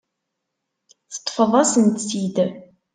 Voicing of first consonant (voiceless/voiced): voiceless